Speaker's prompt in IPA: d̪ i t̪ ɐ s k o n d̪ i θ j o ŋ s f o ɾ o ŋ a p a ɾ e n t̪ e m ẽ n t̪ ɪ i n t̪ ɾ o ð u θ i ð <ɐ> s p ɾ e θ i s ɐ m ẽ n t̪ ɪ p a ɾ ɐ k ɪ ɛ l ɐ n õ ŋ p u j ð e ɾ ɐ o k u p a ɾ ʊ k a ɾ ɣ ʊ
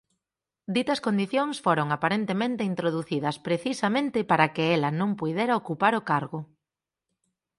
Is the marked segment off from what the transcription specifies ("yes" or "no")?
no